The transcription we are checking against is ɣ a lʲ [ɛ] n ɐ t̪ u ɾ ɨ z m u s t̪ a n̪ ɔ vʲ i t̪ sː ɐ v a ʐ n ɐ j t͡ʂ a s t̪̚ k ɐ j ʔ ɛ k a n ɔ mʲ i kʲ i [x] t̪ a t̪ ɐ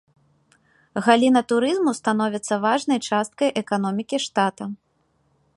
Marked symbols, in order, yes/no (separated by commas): no, no